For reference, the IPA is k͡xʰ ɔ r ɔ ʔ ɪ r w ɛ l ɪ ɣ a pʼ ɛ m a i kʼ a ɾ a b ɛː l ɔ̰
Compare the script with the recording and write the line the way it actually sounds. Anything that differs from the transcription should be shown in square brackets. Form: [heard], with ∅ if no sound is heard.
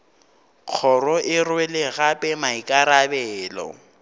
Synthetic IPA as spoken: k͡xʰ ɔ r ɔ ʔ ɪ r w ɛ l ɪ ɣ a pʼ ɛ m a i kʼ a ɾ a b ɛː l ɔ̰